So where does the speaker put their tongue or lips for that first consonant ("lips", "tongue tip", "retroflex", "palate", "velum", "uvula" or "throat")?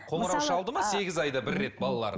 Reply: uvula